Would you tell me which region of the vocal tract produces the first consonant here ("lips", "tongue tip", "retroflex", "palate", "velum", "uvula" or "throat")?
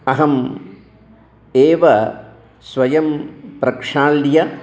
throat